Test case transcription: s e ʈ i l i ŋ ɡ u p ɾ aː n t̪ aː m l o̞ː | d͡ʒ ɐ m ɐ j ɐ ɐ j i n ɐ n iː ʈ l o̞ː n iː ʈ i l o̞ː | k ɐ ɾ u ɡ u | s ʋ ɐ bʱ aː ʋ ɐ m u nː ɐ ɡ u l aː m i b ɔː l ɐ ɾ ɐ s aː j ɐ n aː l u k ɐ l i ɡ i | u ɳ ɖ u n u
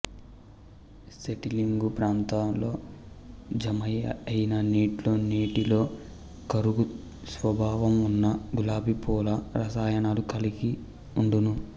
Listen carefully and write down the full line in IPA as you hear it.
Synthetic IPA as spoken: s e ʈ i l i ŋ ɡ u p ɾ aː n t̪ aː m l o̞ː | d͡ʒ ɐ m ɐ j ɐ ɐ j i n ɐ n iː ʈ l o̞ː n iː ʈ i l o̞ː | k ɐ ɾ u ɡ u | s ʋ ɐ bʱ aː ʋ ɐ m u nː ɐ ɡ u l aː b i p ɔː l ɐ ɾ ɐ s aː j ɐ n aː l u k ɐ l i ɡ i | u ɳ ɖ u n u